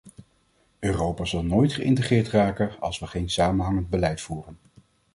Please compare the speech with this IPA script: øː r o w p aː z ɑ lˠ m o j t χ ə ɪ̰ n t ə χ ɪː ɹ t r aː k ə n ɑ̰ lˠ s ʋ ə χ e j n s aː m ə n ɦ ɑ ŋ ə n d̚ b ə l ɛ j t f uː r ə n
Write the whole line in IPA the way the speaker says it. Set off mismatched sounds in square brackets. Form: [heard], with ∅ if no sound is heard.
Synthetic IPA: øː r o w p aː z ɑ lˠ [n] o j t χ ə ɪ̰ n t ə χ ɪː ɹ t r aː k ə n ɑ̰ lˠ s ʋ ə χ e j n s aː m ə n ɦ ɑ ŋ ə n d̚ b ə l ɛ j t f uː r ə n